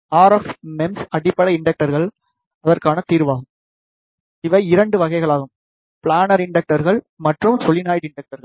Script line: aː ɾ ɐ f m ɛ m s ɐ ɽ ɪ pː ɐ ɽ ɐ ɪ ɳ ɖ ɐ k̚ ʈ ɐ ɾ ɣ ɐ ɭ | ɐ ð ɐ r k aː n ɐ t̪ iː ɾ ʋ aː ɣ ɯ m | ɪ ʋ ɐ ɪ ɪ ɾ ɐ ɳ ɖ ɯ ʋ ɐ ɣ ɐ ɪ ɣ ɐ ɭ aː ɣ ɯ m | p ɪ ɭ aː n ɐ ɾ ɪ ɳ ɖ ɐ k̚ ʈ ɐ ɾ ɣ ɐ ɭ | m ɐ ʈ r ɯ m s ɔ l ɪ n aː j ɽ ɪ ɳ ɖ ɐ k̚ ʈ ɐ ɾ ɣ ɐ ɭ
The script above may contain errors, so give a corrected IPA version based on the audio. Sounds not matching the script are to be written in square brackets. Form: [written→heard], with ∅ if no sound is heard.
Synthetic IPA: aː ɾ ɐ f m ɛ m s ɐ ɽ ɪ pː ɐ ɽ ɐ ɪ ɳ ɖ ɐ k̚ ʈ ɐ ɾ ɣ ɐ ɭ | ɐ ð ɐ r k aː n ɐ t̪ iː ɾ ʋ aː ɣ ɯ m | ɪ ʋ ɐ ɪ ɪ ɾ ɐ ɳ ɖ ɯ ʋ ɐ ɣ ɐ ɪ ɣ ɐ ɭ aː ɣ ɯ m | p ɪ ɭ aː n ɐ ɾ ɪ ɳ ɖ ɐ k̚ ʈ ɐ ɾ ɣ ɐ ɭ | m ɐ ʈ r ɯ m s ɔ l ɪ n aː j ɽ ɪ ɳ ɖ ɐ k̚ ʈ ɐ ɾ ɣ ɐ ɭ

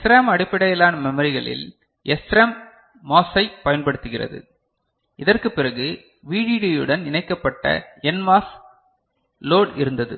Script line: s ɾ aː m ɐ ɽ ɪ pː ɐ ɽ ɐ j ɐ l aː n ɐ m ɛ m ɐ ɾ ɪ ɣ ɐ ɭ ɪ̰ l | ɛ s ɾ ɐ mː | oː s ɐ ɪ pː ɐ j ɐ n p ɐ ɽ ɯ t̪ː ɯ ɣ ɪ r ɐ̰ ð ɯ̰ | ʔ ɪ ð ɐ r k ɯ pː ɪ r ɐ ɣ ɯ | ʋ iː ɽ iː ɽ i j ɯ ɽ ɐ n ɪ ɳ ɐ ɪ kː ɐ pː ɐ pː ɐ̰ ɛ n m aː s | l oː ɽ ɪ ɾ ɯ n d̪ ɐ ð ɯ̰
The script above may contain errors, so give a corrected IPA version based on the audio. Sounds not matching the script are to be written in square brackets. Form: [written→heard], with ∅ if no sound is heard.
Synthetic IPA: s ɾ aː m ɐ ɽ ɪ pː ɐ ɽ ɐ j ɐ l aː n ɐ m ɛ m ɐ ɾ ɪ ɣ ɐ ɭ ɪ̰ l | ɛ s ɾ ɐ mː | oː s ɐ ɪ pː ɐ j ɐ n p ɐ ɽ ɯ t̪ː ɯ ɣ ɪ r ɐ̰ ð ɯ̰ | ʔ ɪ ð ɐ r k ɯ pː ɪ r ɐ ɣ ɯ | ʋ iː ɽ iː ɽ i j ɯ ɽ ɐ n ɪ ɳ ɐ ɪ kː ɐ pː ɐ [pː→ʈː] ɐ̰ ɛ n m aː s | l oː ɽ ɪ ɾ ɯ n d̪ ɐ ð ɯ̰

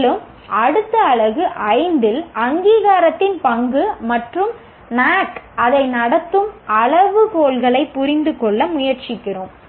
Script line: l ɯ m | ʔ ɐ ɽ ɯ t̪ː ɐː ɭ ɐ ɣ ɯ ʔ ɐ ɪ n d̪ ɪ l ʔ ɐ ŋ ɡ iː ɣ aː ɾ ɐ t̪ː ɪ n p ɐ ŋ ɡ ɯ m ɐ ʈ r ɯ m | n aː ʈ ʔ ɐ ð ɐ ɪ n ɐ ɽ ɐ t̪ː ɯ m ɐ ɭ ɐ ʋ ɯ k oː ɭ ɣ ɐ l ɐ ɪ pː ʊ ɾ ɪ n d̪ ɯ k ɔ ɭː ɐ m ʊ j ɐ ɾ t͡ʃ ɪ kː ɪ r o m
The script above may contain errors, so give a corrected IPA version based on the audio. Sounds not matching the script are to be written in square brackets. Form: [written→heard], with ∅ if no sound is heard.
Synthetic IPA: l ɯ m | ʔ ɐ ɽ ɯ t̪ː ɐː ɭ ɐ ɣ ɯ ʔ ɐ ɪ n d̪ ɪ l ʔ ɐ ŋ ɡ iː ɣ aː ɾ ɐ t̪ː ɪ n p ɐ ŋ ɡ ɯ m ɐ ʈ r ɯ m | n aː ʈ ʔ ɐ ð ɐ ɪ n ɐ ɽ ɐ t̪ː ɯ m ɐ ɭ ɐ ʋ ɯ k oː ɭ ɣ ɐ [l→ɭ] ɐ ɪ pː ʊ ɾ ɪ n d̪ ɯ k ɔ ɭː ɐ m ʊ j ɐ ɾ t͡ʃ ɪ kː ɪ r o m

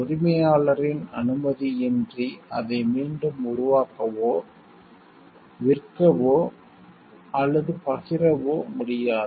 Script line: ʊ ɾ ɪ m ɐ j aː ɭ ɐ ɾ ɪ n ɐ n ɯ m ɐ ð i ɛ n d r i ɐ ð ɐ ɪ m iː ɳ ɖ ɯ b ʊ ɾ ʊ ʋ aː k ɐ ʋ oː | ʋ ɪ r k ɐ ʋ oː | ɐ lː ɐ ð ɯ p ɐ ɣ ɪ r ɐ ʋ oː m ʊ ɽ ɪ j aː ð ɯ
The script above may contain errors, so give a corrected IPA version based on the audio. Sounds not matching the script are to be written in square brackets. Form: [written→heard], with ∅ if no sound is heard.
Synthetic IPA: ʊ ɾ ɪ m ɐ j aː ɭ ɐ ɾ ɪ n ɐ n ɯ m ɐ ð i ɛ n d r i ɐ ð ɐ ɪ m iː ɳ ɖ ɯ [b→m] ʊ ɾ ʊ ʋ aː k ɐ ʋ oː | ʋ ɪ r k ɐ ʋ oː | ɐ lː ɐ ð ɯ p ɐ ɣ ɪ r ɐ ʋ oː m ʊ ɽ ɪ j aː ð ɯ

